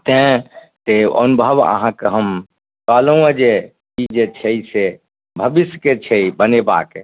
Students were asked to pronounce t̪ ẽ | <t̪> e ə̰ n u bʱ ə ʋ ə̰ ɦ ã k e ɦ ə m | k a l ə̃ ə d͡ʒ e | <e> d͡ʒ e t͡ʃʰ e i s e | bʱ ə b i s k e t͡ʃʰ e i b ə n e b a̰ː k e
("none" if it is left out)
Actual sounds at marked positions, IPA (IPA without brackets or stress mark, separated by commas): t̪, i